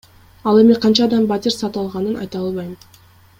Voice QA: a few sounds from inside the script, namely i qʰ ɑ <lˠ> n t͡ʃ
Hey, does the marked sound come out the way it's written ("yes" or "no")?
no